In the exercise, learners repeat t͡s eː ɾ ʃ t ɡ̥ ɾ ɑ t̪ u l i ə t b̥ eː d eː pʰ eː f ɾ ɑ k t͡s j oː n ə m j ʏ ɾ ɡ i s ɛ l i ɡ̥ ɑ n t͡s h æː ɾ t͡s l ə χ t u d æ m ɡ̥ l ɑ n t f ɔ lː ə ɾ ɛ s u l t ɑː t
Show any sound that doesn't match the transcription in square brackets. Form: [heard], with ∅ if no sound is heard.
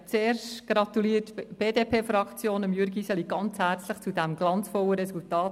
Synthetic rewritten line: t͡s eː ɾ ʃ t ɡ̥ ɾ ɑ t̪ u l i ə t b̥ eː d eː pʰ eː f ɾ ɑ k t͡s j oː n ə m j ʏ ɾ ɡ i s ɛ l i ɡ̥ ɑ n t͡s h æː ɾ t͡s l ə χ [t͡s] u d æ m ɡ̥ l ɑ n [t͡s] f ɔ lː ə ɾ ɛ s u l t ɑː t